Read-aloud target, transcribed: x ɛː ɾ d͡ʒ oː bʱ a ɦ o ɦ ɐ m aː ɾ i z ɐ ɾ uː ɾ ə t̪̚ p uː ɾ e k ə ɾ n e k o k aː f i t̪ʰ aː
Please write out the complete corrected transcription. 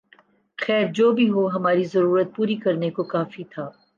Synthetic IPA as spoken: x ɛː ɾ d͡ʒ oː bʱ i ɦ o ɦ ɐ m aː ɾ i z ɐ ɾ uː ɾ ə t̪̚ p uː ɾ i k ɐ ɾ n e k o k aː f i t̪ʰ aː